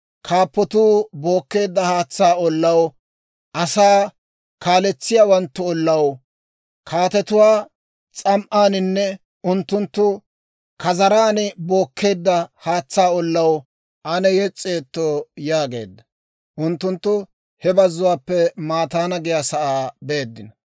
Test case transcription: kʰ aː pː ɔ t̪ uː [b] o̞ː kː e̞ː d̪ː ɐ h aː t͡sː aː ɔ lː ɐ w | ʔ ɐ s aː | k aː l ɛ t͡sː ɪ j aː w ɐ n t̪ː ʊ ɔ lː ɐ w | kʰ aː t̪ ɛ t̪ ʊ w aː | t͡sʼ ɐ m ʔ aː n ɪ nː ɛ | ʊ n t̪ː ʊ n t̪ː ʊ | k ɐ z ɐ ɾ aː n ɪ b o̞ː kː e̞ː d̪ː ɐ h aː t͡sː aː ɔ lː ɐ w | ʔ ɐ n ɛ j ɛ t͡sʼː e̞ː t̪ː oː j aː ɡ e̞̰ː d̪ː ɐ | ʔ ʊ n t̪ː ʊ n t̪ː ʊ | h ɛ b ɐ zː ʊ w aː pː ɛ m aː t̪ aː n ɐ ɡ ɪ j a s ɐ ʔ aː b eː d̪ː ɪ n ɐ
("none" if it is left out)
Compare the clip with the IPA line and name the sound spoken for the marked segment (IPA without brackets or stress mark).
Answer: b